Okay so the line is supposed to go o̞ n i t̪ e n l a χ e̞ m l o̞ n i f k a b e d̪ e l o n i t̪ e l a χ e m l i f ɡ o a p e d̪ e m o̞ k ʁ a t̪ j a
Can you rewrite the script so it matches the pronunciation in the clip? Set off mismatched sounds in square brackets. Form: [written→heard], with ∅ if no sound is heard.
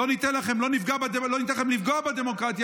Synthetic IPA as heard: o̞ n i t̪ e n l a χ e̞ m l o̞ n i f [k→ɡ] a b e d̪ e l o n i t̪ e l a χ e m l i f ɡ o a [p→b] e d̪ e m o̞ k ʁ a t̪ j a